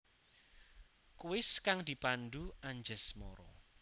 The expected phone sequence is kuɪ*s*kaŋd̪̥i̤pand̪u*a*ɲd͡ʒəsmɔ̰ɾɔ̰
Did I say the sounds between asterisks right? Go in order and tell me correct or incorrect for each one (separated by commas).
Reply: correct, correct